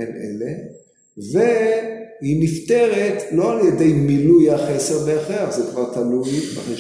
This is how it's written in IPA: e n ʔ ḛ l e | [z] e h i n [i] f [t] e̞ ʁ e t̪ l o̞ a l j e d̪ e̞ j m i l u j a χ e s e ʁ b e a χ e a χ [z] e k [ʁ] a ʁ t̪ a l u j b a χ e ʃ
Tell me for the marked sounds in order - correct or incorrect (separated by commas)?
incorrect, correct, correct, correct, incorrect